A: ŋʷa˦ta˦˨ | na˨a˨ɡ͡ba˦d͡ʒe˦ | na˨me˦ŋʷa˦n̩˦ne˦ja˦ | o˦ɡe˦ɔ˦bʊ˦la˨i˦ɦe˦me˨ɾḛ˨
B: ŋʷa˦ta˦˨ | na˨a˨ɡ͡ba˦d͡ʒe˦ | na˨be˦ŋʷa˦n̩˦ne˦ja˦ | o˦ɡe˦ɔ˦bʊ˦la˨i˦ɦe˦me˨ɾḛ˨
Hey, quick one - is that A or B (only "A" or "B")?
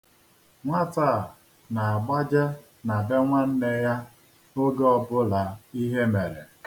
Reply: B